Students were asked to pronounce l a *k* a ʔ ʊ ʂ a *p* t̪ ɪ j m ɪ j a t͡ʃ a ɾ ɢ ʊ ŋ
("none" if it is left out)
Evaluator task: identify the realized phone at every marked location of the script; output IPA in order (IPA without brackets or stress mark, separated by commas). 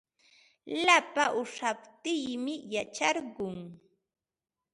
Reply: p, p